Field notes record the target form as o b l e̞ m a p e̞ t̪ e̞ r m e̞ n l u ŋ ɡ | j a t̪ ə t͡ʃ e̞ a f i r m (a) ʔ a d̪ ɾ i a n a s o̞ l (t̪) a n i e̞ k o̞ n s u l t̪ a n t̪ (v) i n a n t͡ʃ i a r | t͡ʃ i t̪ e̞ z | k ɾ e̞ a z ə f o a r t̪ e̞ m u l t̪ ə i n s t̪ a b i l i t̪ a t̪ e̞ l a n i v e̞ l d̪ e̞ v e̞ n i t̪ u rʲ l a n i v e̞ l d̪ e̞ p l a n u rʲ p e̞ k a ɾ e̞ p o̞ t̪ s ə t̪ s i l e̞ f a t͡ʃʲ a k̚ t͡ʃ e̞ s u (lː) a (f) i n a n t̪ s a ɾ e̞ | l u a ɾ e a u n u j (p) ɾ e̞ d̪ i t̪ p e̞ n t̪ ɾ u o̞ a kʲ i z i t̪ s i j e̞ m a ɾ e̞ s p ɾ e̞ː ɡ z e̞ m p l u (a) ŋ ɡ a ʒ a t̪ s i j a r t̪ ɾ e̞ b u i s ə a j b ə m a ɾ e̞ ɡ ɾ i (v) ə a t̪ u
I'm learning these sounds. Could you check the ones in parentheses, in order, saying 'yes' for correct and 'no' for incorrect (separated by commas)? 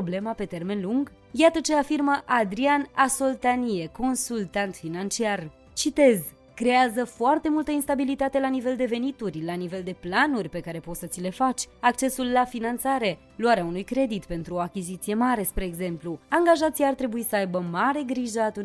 no, yes, no, yes, yes, no, yes, no